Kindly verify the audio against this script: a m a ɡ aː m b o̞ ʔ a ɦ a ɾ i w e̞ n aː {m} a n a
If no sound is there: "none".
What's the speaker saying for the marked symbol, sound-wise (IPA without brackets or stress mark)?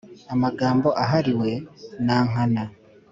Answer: ŋ